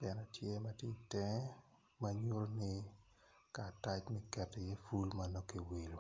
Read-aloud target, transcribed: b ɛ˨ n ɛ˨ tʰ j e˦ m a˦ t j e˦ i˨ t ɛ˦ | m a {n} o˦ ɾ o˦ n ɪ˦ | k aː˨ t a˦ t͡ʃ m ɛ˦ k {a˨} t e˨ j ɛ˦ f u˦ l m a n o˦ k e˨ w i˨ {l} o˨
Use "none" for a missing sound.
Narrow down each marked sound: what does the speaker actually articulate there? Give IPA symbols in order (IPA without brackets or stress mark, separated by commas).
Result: ɲ, ɛ˨, l